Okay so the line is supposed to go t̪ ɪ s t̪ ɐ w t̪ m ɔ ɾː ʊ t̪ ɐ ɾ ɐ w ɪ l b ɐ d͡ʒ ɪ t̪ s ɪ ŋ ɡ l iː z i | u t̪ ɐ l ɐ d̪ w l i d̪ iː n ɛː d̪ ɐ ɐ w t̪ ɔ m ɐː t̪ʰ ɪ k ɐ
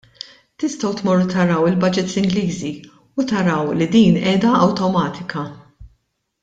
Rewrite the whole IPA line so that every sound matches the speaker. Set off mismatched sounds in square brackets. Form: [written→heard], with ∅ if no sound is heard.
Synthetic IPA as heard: t̪ ɪ s t̪ ɐ w t̪ m ɔ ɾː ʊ t̪ ɐ ɾ ɐ w ɪ l b ɐ d͡ʒ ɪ t̪ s ɪ ŋ ɡ l iː z i | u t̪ ɐ [l→ɾ] ɐ [d̪→∅] w l i d̪ iː n ɛː d̪ ɐ ɐ w t̪ ɔ m ɐː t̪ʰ ɪ k ɐ

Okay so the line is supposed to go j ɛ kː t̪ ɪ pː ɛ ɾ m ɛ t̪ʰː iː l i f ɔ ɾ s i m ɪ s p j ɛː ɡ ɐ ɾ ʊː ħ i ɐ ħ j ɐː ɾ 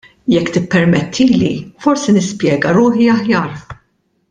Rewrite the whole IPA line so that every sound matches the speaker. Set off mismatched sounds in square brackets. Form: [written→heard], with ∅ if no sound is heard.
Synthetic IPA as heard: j ɛ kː t̪ ɪ pː ɛ ɾ m ɛ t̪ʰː iː l i f ɔ ɾ s i [m→n] ɪ s p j ɛː ɡ ɐ ɾ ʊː ħ i ɐ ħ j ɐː ɾ

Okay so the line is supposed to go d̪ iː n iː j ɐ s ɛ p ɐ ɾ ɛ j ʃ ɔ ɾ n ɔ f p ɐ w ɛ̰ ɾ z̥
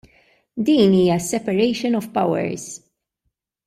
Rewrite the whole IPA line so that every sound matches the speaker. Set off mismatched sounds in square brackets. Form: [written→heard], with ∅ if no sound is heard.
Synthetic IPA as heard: d̪ iː n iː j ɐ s ɛ p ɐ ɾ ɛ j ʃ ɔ [ɾ→∅] n ɔ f p ɐ w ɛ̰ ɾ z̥

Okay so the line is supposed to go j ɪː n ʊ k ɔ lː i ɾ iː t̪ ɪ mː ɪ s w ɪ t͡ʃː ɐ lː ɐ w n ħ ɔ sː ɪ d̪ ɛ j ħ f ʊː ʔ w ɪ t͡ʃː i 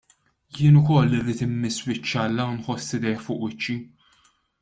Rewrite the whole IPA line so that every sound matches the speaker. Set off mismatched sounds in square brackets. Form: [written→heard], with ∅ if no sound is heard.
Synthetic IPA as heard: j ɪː n ʊ k ɔ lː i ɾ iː t̪ ɪ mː ɪ s w ɪ t͡ʃː ɐ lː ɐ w n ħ ɔ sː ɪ d̪ ɛ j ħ f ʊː ʔ w ɪ t͡ʃː i

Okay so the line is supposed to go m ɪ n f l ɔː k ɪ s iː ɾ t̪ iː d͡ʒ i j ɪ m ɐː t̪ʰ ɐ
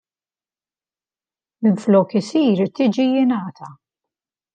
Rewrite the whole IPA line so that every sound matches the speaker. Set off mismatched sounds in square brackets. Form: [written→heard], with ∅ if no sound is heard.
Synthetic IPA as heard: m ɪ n f l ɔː k ɪ s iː ɾ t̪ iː d͡ʒ i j ɪ [m→n] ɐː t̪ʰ ɐ

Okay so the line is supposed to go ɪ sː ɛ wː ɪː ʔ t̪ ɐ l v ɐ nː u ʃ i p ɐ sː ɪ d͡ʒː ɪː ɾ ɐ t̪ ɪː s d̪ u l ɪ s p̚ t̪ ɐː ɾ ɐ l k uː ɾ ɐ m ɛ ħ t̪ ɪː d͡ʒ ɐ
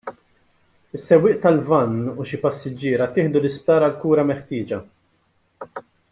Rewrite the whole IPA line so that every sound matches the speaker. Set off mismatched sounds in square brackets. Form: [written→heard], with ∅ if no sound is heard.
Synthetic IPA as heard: ɪ sː ɛ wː ɪː ʔ t̪ ɐ l v ɐ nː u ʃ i p ɐ sː ɪ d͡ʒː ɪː ɾ ɐ t̪ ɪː [s→ħ] d̪ u l ɪ s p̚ t̪ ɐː ɾ ɐ l k uː ɾ ɐ m ɛ ħ t̪ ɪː d͡ʒ ɐ

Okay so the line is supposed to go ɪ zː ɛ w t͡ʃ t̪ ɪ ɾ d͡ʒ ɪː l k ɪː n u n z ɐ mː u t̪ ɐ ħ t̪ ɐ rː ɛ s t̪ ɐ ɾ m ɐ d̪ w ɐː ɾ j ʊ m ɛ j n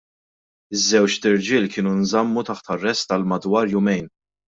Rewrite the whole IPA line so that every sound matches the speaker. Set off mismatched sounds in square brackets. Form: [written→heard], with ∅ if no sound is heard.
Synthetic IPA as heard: ɪ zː ɛ w t͡ʃ t̪ ɪ ɾ d͡ʒ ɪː l k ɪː n u n z ɐ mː u t̪ ɐ ħ t̪ ɐ rː ɛ s t̪ ɐ [ɾ→l] m ɐ d̪ w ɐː ɾ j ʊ m ɛ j n

